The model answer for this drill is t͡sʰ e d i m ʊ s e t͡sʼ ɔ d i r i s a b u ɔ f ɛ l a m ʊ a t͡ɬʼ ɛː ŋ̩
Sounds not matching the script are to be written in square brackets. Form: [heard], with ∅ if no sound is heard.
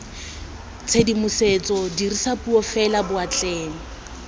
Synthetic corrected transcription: t͡sʰ e d i m ʊ s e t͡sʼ ɔ d i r i s a [p] u ɔ f ɛ l a [b] ʊ a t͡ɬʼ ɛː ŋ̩